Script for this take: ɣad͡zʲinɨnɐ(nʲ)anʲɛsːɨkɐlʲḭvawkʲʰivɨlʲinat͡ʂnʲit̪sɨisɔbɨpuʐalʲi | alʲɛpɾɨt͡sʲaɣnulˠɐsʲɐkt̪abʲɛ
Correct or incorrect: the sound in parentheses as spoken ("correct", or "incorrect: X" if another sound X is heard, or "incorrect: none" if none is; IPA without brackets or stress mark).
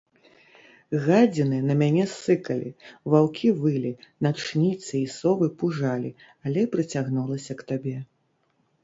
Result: incorrect: mʲ